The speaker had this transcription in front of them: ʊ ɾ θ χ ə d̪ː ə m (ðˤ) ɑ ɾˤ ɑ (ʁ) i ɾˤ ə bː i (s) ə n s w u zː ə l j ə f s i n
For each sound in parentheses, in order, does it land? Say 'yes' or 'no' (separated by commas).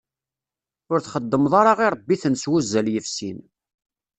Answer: yes, yes, no